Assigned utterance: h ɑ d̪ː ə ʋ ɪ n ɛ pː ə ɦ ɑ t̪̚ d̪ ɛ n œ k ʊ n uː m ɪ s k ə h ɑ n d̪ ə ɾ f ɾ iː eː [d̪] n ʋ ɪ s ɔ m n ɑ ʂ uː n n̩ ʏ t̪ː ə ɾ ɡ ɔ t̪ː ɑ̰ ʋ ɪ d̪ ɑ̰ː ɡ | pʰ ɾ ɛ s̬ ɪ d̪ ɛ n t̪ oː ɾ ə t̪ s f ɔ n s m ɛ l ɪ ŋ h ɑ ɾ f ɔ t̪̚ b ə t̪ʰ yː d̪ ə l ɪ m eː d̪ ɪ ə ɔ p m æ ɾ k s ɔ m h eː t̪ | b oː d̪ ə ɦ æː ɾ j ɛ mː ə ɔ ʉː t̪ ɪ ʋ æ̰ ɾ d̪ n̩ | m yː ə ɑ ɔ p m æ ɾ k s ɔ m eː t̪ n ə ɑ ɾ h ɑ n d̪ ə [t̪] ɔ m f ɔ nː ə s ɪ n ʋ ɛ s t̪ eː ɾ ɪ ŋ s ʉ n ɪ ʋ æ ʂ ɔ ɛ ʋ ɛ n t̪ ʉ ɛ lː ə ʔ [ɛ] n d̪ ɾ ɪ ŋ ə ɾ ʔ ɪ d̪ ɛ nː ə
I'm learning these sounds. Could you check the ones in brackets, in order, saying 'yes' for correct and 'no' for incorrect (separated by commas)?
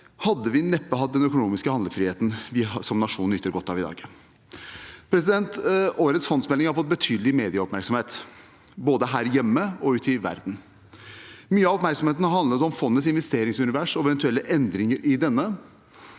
no, yes, yes